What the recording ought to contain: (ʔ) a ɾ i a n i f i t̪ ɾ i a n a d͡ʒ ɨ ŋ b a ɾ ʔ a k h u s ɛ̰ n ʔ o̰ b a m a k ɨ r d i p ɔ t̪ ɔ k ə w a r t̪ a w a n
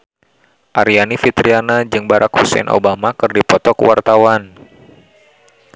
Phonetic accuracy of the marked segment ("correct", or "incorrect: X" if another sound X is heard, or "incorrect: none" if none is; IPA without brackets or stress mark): correct